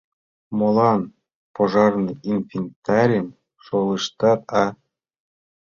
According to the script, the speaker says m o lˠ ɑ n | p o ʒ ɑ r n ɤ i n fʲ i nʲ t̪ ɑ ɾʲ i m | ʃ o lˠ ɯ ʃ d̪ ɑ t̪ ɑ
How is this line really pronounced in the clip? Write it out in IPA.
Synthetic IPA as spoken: m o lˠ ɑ n | p o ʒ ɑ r n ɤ i n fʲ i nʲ t̪ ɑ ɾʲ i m | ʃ o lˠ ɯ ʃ t̪ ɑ t̪ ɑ